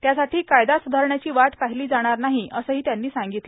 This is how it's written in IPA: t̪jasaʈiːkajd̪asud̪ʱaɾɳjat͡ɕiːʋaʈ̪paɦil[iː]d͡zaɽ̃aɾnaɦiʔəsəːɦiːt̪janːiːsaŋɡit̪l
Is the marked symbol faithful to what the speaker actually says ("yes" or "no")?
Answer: yes